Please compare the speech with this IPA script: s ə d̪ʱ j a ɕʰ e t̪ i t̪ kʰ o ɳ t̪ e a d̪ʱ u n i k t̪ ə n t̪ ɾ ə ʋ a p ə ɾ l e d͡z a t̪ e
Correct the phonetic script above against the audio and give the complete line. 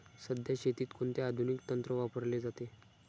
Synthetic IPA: s ə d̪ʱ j a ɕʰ e t̪ iː t̪ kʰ o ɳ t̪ e a d̪ʱ u n i k t̪ ə n t̪ ɾ ə ʋ a p ə ɾ l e d͡z a t̪ e

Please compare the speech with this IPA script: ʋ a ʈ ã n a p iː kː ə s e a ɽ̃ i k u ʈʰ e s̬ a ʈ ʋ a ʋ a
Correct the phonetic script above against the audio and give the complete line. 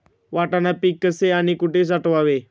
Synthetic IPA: ʋ a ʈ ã n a p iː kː ə s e a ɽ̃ i k u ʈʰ e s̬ a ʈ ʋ a ʋ e

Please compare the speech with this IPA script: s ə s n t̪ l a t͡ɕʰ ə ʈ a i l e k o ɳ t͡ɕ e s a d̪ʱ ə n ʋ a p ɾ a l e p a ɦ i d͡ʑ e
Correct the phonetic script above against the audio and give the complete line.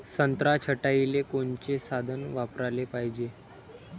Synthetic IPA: s ə n t̪ ɾ a t͡ɕʰ ə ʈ a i l e k o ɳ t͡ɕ e s a d̪ʱ ə n ʋ a p ɾ a l e p a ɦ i d͡ʑ e

